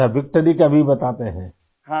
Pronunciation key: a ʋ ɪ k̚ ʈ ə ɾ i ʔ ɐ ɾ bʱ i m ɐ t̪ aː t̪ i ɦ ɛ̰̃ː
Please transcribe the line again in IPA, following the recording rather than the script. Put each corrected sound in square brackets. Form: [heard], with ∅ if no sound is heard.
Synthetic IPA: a ʋ ɪ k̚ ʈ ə ɾ i [k] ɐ [∅] bʱ i [b] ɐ t̪ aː t̪ [e] ɦ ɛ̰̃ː